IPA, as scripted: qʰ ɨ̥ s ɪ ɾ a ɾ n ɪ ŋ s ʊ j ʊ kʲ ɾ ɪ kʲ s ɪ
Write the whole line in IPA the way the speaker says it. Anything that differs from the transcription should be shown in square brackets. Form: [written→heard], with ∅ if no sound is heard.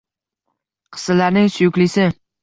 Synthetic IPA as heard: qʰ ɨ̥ s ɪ [ɾ→l] a ɾ n ɪ ŋ s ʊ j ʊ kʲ [ɾ→l] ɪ [kʲ→∅] s ɪ